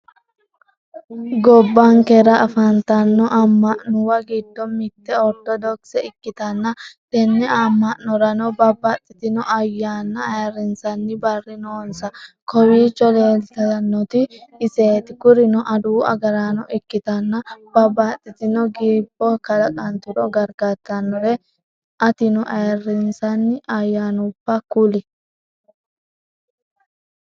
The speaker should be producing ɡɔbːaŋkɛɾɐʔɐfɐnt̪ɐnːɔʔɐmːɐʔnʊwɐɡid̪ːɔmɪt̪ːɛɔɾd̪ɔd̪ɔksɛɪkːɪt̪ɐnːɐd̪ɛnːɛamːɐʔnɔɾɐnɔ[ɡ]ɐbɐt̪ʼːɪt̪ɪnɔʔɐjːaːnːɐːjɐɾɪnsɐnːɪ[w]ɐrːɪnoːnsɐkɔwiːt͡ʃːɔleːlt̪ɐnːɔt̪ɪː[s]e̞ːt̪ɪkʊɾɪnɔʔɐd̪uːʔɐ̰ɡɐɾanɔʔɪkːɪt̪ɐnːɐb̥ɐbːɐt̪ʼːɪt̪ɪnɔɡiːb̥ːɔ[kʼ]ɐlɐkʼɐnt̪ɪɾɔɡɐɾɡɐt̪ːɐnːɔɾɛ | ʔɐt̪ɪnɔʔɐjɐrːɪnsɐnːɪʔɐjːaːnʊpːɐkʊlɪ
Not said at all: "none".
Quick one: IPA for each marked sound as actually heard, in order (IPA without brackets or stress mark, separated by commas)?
b, b, s, k